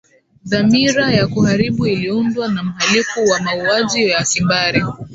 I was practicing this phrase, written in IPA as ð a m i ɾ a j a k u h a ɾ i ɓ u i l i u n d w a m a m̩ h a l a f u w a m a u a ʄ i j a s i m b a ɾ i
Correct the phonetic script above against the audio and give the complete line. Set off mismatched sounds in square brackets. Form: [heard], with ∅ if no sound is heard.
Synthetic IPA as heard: ð a m i ɾ a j a k u h a ɾ i ɓ u i l i u n d w a [n] a m̩ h a l [i] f u w a m a u a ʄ i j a s i m b a ɾ i